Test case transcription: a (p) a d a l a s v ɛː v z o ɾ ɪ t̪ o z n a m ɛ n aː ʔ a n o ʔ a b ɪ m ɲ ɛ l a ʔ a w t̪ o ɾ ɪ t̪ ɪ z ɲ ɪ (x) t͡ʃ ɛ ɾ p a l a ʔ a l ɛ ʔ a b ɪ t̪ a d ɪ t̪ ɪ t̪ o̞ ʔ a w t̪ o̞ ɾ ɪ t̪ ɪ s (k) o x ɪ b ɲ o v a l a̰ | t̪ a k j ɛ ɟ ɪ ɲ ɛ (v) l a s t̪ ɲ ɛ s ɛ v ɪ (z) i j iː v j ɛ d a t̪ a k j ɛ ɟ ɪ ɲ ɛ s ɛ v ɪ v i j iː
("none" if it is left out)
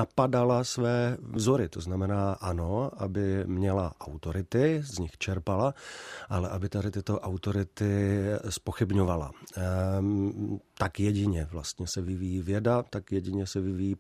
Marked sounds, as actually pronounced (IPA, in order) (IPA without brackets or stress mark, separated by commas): p, x, p, v, v